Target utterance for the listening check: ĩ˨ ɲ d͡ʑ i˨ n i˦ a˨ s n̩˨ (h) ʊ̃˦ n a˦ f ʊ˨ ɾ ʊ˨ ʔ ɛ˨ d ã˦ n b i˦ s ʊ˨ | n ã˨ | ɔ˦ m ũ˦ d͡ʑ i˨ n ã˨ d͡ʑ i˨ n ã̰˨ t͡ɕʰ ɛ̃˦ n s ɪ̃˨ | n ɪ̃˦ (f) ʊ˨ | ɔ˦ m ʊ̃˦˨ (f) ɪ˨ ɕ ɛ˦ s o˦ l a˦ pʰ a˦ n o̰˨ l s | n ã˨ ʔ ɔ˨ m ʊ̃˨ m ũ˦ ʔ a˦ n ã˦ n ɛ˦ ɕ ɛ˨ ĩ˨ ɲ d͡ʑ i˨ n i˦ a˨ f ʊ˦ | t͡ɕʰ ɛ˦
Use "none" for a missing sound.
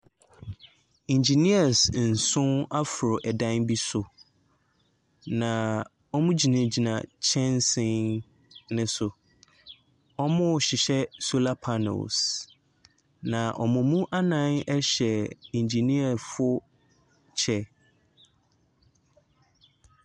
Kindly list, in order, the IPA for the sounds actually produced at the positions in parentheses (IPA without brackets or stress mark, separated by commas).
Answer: s, s, ɕ